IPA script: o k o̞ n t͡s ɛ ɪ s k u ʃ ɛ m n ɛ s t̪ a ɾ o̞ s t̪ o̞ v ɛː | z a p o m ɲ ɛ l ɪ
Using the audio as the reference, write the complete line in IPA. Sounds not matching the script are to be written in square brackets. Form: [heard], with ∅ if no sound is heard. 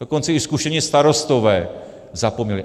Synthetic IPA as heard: o k o̞ n t͡s ɛ ɪ s k u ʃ ɛ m [ɲ] ɛ s t̪ a ɾ o̞ s t̪ o̞ v ɛː | z a p o m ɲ ɛ l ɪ